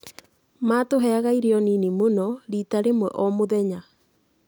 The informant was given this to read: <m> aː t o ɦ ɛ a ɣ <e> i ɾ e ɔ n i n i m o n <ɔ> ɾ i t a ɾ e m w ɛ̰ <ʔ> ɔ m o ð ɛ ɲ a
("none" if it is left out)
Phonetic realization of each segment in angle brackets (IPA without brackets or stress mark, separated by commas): m, a, ɔ, ʔ